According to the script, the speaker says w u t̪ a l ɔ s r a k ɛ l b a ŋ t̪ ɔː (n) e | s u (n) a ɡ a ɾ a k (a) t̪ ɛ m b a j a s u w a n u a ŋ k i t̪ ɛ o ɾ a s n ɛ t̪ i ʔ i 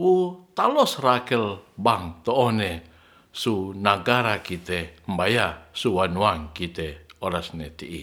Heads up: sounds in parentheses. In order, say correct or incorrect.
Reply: correct, correct, incorrect: i

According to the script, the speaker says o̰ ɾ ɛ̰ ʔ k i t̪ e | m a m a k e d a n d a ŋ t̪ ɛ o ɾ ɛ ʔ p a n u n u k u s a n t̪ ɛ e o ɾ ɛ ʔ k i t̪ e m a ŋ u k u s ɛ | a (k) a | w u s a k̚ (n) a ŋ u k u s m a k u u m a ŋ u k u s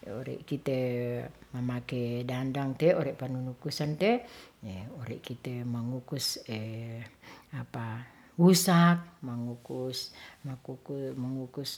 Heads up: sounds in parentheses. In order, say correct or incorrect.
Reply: incorrect: p, incorrect: m

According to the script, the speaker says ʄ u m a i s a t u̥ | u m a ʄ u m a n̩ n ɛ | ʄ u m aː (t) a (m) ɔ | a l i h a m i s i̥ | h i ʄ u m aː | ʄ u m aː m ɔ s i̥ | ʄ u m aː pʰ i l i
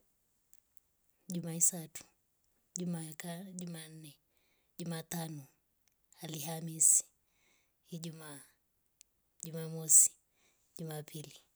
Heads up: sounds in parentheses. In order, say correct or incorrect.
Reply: correct, incorrect: n

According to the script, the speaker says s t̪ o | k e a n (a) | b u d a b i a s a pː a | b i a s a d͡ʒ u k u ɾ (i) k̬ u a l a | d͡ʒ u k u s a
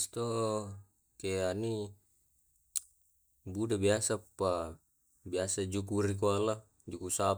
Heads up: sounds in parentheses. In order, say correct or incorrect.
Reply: incorrect: i, correct

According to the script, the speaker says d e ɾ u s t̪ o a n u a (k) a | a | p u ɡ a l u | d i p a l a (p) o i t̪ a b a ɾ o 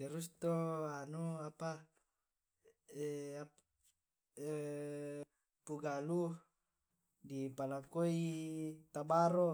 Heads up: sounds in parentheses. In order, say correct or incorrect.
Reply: incorrect: p, incorrect: k

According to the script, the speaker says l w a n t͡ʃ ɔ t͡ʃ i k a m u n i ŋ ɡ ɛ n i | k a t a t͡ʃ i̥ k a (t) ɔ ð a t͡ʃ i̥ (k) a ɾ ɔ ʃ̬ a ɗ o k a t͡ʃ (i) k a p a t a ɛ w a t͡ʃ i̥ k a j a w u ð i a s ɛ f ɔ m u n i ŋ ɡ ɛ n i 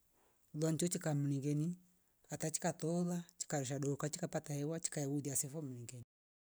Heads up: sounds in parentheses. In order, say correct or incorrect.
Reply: correct, correct, correct

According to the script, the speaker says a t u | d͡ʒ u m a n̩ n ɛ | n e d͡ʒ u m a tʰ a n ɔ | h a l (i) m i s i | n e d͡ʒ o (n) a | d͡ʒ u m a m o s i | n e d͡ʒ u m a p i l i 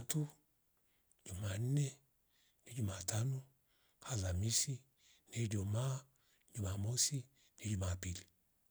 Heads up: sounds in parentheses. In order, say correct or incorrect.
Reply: incorrect: a, incorrect: m

